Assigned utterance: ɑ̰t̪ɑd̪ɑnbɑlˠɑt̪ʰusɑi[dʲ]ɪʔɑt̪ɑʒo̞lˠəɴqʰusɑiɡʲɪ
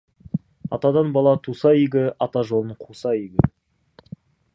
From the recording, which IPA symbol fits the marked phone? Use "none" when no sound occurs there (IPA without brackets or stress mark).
ɡʲ